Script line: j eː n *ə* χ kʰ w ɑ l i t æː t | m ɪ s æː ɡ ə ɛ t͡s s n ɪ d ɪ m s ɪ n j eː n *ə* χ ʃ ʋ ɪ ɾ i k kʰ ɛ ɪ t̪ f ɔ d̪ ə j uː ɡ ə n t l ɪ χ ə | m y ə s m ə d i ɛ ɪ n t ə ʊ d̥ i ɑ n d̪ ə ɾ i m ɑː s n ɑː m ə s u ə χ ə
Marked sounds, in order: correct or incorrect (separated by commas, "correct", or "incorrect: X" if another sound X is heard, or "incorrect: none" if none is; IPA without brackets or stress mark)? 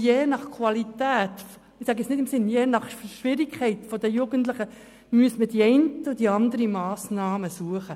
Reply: incorrect: ɑ, incorrect: ɑ